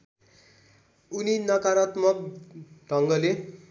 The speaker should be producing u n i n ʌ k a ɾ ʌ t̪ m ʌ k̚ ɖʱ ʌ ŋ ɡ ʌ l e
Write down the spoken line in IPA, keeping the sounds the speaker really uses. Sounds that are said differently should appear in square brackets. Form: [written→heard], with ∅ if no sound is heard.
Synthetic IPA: u n i n ʌ k a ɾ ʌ t̪ m ʌ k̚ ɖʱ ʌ ŋ ɡ ʌ l e